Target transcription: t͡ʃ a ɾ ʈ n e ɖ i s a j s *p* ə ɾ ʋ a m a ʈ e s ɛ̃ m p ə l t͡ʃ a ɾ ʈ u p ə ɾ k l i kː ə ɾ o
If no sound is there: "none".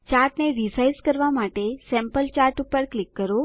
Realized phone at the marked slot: k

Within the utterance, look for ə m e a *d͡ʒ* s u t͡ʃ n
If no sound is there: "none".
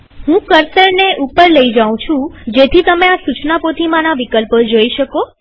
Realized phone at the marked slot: none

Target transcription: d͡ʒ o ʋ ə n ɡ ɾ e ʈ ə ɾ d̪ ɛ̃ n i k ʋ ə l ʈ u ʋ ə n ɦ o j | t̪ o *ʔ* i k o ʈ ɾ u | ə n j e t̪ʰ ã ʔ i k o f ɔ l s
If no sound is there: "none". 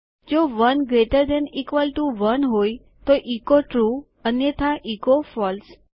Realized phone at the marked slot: ʔ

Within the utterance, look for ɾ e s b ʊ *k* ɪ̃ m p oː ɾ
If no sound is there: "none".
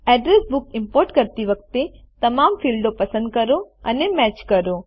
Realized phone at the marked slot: k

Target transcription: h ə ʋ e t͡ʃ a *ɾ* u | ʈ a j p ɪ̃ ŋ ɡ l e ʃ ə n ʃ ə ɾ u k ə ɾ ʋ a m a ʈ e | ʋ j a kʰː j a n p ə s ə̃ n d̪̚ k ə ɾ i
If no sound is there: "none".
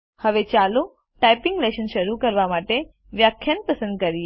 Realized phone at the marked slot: l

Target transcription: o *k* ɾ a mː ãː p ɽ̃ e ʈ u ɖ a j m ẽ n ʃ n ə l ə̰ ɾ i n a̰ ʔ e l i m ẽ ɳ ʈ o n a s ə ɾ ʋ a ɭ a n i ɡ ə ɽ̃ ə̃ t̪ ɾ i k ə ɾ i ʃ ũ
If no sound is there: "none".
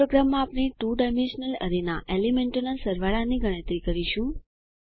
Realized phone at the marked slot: ɡ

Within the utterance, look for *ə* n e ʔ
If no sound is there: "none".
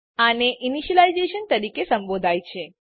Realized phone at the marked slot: a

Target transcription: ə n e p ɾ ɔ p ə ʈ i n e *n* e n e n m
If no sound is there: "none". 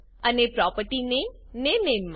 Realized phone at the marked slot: n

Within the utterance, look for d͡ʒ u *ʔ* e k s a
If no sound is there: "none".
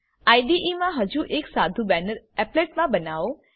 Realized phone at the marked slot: ʔ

